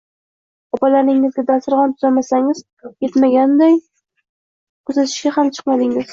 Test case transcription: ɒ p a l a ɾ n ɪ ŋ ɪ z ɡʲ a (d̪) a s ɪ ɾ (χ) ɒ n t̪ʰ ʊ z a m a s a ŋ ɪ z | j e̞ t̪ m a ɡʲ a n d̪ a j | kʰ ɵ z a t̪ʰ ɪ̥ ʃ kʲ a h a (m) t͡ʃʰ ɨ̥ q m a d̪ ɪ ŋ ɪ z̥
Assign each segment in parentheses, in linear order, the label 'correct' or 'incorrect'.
correct, incorrect: ʁ, correct

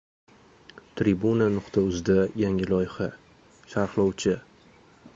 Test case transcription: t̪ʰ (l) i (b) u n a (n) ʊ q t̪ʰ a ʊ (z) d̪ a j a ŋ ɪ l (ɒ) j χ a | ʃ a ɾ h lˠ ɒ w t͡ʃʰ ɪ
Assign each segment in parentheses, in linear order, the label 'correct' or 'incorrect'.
incorrect: ɾ, correct, correct, correct, correct

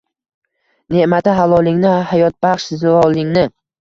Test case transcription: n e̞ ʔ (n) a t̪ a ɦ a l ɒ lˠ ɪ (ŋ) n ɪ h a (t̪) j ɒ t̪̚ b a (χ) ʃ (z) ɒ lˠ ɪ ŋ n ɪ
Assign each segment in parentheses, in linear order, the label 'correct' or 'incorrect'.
incorrect: m, correct, incorrect: none, correct, correct

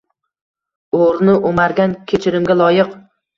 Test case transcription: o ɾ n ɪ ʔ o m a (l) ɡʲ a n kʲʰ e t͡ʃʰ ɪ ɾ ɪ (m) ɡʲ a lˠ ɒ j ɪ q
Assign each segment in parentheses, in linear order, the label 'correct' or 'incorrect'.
incorrect: ɾ, correct

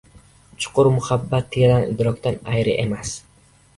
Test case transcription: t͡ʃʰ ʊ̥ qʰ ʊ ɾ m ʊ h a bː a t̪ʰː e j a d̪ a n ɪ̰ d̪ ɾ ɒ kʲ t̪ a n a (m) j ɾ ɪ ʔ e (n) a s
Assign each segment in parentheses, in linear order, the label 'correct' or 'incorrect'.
incorrect: none, incorrect: m

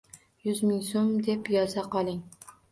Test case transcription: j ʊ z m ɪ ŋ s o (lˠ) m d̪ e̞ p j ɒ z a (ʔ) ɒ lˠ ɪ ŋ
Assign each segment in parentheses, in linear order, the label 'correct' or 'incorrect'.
incorrect: none, incorrect: q

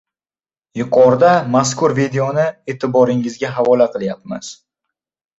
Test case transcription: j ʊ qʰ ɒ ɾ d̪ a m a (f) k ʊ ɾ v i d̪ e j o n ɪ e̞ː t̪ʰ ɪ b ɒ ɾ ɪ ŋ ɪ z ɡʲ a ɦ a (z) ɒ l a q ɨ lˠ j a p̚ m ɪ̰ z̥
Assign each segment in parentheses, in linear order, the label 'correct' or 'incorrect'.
incorrect: s, incorrect: v

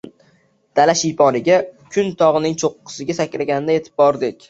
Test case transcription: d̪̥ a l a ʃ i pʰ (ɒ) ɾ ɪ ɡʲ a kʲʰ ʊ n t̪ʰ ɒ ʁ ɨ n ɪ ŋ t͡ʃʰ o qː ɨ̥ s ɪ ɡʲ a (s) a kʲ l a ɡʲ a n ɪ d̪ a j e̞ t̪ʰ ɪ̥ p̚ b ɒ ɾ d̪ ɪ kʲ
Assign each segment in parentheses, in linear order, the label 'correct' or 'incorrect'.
correct, correct

